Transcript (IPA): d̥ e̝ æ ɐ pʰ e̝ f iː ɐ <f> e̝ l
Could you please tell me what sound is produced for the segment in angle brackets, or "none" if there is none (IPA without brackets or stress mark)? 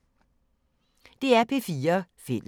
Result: f